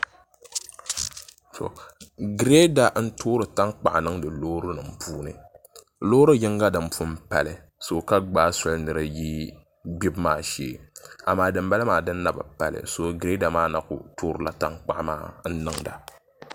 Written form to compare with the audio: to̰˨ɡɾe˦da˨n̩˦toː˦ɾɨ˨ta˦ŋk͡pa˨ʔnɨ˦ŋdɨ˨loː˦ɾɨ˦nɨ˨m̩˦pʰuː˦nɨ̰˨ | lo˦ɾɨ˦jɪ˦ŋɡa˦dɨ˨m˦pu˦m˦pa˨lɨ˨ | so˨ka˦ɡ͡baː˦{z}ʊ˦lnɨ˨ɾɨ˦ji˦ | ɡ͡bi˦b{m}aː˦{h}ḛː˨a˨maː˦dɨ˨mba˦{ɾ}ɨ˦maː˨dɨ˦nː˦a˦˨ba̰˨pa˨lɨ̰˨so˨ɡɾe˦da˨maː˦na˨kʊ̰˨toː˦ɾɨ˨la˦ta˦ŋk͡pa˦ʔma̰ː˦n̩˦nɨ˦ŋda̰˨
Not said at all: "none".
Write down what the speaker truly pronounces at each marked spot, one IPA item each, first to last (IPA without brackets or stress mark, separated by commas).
s, m, ʃ, l